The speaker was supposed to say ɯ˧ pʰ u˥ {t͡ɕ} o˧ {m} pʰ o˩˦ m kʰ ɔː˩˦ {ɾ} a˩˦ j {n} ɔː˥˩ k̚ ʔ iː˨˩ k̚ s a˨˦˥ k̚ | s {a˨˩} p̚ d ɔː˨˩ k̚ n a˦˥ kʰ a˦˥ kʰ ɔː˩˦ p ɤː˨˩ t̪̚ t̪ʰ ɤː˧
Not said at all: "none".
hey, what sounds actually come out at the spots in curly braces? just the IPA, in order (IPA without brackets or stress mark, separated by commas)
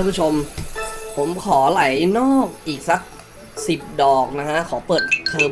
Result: t͡ɕʰ, m, l, n, i˨˩